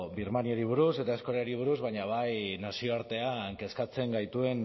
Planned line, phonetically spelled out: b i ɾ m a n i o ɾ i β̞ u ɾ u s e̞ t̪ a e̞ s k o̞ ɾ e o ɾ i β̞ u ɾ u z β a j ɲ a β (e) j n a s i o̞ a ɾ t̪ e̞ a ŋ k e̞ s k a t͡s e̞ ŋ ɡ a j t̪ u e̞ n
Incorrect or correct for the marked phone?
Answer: incorrect: a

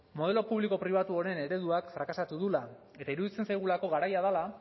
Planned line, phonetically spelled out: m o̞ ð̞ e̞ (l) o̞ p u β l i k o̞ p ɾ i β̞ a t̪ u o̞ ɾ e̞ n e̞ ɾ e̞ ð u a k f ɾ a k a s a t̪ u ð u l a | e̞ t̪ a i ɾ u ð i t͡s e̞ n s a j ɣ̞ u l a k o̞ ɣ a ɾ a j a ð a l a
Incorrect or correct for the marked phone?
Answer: correct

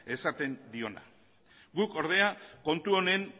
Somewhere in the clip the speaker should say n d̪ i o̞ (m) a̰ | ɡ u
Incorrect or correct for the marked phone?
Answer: incorrect: n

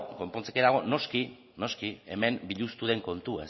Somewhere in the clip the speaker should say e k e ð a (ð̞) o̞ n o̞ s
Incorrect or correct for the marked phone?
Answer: incorrect: ɣ̞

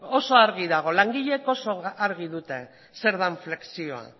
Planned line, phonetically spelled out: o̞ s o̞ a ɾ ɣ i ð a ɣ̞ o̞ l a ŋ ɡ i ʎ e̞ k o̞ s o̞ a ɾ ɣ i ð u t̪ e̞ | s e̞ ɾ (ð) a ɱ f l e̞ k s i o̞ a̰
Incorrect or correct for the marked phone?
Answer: correct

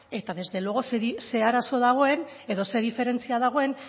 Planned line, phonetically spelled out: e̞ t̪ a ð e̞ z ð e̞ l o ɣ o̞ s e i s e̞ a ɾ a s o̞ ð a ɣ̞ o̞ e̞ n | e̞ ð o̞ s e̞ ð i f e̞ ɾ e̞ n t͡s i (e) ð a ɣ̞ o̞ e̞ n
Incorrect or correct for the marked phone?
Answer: incorrect: a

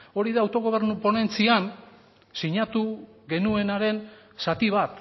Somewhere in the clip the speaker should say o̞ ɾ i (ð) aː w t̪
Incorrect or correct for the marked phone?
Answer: correct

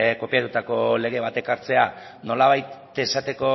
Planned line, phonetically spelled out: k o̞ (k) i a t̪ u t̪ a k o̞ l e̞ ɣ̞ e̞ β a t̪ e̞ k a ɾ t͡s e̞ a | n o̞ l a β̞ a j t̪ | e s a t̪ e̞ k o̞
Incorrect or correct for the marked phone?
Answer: incorrect: p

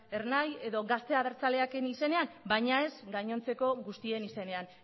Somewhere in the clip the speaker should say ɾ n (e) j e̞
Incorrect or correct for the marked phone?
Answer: incorrect: a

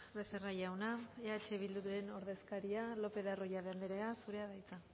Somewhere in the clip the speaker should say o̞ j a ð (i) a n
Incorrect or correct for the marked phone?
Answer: incorrect: e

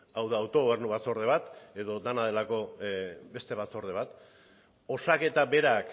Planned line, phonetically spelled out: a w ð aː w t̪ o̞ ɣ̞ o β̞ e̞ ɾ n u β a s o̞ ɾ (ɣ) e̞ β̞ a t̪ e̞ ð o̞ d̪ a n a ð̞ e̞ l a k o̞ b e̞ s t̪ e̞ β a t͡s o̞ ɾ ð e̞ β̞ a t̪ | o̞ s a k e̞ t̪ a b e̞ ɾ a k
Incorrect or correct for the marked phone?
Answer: incorrect: ð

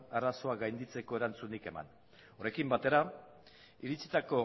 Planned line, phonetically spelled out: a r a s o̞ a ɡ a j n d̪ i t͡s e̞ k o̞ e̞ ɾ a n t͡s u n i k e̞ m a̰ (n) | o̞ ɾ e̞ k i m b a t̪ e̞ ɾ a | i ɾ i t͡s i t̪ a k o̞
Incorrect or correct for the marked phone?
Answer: correct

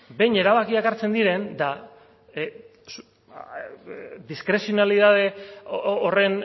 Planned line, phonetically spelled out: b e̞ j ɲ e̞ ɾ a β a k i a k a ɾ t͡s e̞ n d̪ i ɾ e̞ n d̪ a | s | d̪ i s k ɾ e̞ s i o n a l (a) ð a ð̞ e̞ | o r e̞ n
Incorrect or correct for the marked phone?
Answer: incorrect: i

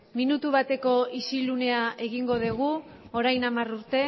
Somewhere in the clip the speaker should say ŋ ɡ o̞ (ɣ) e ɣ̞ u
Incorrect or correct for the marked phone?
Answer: incorrect: ð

